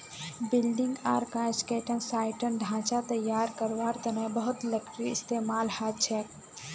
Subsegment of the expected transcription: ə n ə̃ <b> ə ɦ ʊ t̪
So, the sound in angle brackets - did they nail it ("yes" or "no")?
yes